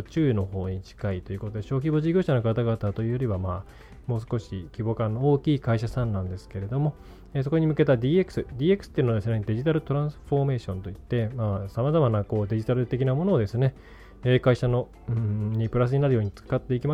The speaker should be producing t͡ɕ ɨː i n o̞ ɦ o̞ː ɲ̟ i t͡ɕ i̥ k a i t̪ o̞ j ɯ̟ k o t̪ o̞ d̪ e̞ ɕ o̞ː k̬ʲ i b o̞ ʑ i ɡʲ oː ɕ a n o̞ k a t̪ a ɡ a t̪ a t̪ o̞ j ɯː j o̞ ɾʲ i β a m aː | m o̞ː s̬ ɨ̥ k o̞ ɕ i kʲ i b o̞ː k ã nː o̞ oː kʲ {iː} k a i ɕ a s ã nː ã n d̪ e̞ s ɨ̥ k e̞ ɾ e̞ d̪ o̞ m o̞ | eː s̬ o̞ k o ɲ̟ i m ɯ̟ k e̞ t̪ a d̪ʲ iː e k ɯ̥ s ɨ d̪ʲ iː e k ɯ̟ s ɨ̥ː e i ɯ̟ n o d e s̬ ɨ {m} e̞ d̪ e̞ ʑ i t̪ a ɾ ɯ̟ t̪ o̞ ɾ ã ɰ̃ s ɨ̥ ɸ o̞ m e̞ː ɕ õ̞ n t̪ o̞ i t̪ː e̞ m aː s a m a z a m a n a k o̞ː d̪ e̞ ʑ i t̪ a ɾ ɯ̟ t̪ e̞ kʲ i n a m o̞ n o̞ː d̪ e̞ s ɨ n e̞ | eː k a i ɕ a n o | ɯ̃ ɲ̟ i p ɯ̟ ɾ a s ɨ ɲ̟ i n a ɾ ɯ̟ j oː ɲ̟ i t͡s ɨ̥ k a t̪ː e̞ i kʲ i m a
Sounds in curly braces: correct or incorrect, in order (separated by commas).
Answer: correct, incorrect